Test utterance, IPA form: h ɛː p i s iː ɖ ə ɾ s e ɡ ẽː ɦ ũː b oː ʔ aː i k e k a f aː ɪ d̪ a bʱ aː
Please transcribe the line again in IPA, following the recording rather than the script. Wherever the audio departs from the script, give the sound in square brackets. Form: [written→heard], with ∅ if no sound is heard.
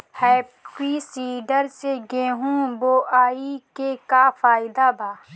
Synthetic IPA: h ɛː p i s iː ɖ ə ɾ s e ɡ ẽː ɦ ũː b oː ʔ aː i k e k a f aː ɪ d̪ a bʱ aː